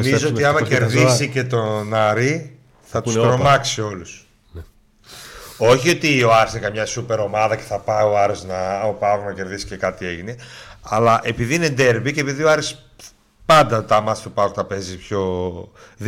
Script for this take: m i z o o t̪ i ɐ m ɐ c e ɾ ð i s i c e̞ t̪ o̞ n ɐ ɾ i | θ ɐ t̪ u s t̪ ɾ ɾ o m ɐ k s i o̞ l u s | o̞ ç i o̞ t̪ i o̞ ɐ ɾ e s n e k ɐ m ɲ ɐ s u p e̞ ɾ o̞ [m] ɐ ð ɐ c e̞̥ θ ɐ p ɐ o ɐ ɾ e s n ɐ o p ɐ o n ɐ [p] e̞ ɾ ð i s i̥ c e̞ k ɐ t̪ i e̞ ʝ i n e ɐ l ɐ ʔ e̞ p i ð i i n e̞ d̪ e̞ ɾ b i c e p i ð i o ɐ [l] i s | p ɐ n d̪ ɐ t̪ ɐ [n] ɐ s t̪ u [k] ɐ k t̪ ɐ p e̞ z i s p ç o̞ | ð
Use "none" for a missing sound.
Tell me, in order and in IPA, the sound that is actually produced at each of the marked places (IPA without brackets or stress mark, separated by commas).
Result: m, c, ɾ, m, p